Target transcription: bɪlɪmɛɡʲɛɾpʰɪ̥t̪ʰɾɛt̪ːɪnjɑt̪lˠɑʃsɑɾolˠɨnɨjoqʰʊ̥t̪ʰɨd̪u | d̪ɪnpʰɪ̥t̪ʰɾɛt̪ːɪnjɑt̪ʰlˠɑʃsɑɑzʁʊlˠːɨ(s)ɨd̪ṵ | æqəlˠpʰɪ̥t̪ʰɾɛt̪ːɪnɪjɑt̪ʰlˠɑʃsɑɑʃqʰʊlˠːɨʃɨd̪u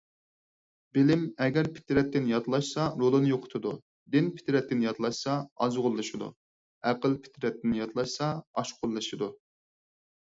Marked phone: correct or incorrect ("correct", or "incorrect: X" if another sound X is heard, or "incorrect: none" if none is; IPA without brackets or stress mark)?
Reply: incorrect: ʃ